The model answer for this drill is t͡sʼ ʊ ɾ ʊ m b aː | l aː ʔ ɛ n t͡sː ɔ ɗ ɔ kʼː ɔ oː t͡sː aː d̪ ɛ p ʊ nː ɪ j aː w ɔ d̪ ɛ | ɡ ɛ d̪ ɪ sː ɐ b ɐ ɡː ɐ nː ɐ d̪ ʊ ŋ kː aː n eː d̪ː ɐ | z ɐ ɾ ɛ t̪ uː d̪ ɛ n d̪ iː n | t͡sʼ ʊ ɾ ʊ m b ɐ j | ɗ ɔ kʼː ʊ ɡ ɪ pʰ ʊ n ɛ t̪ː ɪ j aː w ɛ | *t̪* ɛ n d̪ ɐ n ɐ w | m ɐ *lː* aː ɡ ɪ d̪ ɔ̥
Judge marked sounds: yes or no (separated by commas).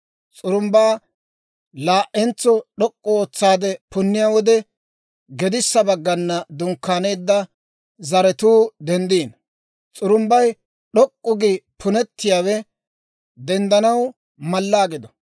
no, yes